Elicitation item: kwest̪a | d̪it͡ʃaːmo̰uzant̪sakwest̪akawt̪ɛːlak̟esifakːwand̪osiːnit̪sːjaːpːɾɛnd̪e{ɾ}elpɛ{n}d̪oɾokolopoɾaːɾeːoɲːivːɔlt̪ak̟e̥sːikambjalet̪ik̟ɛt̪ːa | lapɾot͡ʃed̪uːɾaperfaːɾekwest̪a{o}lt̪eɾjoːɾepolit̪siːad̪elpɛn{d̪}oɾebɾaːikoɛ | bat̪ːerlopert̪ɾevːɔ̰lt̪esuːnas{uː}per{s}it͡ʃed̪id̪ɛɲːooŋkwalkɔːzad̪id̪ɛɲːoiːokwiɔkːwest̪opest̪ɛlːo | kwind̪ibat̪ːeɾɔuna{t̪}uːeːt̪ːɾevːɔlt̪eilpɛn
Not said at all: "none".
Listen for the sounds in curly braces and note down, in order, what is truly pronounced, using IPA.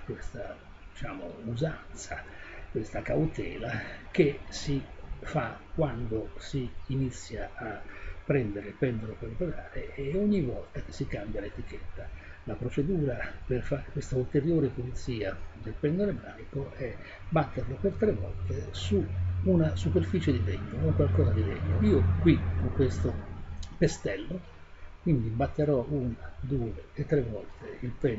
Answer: ɾ, n, u, d̪, u, f, d̪

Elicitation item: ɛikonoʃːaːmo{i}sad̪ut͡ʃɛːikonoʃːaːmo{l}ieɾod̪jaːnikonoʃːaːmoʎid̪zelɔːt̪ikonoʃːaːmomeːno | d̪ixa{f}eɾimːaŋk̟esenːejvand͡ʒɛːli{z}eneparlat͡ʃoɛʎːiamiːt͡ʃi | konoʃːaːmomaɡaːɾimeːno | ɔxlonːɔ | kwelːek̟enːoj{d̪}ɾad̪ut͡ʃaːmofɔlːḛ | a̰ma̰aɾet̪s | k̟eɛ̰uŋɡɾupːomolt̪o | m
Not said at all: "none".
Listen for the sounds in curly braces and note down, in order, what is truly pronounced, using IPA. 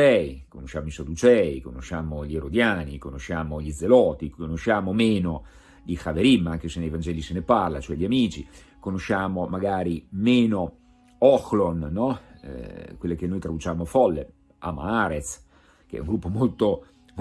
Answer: i, ʎ, v, s, t̪

